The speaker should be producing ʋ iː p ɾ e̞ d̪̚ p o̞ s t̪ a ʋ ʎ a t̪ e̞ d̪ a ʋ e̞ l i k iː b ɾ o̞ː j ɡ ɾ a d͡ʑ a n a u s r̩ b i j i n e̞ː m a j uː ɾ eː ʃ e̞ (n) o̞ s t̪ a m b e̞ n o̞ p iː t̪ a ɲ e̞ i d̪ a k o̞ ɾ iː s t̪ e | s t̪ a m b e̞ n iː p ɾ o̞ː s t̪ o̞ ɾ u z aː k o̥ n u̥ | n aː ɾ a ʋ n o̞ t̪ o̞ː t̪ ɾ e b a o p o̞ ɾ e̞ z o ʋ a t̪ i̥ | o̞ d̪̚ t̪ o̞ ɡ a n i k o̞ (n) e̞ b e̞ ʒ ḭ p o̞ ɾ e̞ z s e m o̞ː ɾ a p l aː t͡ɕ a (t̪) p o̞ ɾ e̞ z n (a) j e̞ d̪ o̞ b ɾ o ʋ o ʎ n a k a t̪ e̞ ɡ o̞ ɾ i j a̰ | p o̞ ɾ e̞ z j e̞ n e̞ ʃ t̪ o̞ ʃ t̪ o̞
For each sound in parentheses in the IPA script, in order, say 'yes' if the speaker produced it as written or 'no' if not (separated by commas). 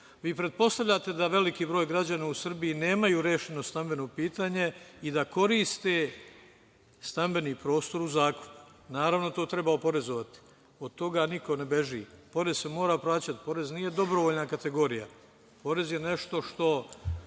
yes, yes, yes, no